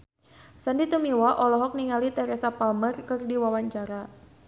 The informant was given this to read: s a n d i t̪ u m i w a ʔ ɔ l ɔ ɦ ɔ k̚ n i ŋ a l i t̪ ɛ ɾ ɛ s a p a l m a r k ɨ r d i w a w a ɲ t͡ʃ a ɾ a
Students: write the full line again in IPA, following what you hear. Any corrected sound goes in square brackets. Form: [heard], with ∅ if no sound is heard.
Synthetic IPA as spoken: s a n d i t̪ u m i w a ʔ ɔ l ɔ ɦ ɔ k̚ n i ŋ a l i t̪ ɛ ɾ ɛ s a p a l m [ə] r k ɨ r d i w a w a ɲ t͡ʃ a ɾ a